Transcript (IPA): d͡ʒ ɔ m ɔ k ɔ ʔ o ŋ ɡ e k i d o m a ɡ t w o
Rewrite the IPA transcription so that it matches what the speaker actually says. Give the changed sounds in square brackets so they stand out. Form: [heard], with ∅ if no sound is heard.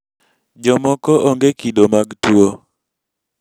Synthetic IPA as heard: d͡ʒ ɔ m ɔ k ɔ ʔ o ŋ ɡ e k i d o m a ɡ t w o